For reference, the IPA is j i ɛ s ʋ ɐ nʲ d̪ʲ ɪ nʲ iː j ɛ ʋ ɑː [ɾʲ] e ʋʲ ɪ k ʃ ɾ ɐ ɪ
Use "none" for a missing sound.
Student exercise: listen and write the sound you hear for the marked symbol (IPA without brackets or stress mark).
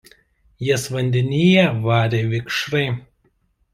ɾʲ